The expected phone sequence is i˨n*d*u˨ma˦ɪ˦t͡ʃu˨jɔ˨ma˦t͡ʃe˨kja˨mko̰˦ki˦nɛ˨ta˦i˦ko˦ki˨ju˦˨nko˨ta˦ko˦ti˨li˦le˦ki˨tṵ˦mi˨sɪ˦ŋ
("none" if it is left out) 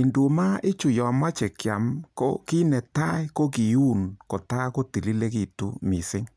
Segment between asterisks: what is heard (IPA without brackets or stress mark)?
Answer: d